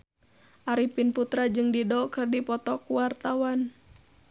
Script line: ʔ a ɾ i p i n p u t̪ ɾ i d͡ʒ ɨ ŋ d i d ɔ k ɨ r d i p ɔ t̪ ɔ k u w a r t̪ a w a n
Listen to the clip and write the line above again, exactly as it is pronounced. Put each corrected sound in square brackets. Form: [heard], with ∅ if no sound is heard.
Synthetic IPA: ʔ a ɾ i p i n p u t̪ ɾ [a] d͡ʒ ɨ ŋ d i d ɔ k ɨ r d i p ɔ t̪ ɔ k u w a r t̪ a w a n